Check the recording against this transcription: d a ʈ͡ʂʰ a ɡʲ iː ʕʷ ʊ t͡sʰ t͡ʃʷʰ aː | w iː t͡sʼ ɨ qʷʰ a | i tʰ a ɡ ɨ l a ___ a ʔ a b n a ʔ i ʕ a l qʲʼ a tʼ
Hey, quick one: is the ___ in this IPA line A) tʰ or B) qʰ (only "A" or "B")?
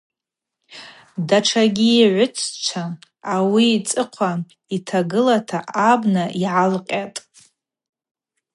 A